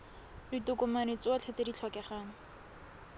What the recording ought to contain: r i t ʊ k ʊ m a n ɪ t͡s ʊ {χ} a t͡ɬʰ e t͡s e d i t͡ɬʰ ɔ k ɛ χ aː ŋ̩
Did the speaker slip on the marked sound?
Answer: yes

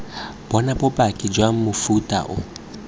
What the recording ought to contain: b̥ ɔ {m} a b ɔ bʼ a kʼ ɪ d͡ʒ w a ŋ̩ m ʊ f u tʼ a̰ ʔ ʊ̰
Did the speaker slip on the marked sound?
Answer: yes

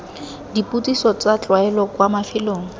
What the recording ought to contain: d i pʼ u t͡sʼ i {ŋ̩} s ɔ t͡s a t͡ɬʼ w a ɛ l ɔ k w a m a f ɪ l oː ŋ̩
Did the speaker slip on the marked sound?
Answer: yes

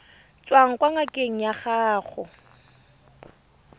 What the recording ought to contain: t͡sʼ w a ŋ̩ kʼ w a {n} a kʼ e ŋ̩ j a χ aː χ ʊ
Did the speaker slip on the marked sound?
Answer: yes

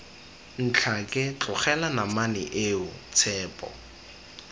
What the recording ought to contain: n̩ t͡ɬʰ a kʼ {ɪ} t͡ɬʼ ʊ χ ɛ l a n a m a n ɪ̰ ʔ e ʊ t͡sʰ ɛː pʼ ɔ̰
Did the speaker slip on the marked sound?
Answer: no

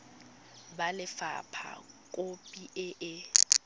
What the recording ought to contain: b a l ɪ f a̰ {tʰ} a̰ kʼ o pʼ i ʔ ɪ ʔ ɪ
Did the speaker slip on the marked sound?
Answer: yes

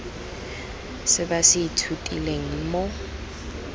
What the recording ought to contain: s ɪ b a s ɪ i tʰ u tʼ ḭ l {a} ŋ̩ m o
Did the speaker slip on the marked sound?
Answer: yes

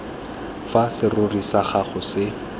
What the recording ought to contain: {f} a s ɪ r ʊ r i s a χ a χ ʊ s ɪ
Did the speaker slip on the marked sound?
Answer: no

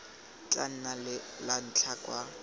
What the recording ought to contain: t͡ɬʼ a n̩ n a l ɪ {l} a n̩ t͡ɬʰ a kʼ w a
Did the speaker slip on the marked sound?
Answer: no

